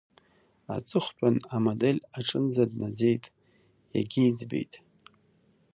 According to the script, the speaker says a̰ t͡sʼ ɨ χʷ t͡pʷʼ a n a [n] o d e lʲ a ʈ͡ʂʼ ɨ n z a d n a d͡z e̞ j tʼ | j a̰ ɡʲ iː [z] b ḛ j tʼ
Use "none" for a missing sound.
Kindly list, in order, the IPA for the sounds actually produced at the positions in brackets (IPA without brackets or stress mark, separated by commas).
m, d͡z